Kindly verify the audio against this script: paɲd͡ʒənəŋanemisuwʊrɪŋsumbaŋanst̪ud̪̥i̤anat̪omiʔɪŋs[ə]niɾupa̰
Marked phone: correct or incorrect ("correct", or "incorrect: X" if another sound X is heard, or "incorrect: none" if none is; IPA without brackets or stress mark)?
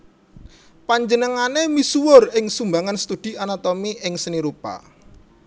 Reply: correct